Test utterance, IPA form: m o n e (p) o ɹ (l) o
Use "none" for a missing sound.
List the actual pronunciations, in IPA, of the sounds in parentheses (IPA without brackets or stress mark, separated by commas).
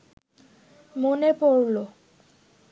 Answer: p, l